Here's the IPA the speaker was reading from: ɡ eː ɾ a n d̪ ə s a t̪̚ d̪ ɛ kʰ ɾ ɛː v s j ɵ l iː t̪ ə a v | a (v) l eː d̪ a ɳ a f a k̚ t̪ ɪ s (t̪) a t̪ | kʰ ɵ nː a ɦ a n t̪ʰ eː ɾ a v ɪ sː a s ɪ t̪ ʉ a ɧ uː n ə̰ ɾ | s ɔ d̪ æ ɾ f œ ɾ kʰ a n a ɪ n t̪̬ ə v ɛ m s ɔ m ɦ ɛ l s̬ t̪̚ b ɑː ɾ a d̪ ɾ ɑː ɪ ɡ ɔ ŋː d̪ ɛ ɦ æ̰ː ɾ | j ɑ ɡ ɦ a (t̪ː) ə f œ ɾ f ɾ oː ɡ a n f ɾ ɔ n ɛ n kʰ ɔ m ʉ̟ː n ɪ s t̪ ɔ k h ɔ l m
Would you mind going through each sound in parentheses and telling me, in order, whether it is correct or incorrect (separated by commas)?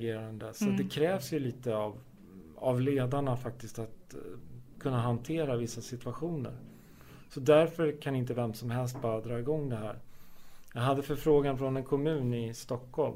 correct, correct, incorrect